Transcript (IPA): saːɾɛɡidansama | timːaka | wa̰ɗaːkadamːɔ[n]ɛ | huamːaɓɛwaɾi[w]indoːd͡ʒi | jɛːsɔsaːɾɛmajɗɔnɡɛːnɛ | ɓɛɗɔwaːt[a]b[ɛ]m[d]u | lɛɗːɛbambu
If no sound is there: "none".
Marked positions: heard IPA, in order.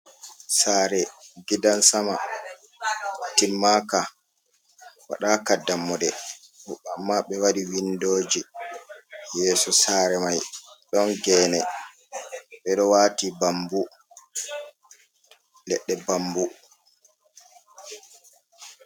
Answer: d, w, i, a, b

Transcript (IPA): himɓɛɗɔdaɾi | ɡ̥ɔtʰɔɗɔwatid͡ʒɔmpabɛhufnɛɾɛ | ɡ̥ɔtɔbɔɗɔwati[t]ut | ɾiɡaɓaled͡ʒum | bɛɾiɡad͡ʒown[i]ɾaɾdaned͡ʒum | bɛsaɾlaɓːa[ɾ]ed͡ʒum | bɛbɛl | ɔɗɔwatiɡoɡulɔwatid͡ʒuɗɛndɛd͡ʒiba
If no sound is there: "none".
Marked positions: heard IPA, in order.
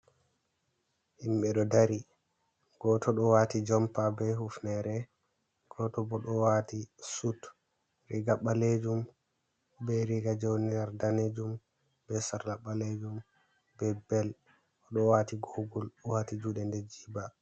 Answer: s, i, l

